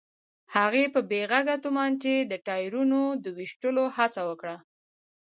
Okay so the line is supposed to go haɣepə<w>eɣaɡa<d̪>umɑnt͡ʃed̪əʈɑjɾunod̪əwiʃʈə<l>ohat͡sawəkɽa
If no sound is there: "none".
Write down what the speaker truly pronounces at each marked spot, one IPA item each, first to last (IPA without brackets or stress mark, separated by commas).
b, t̪, l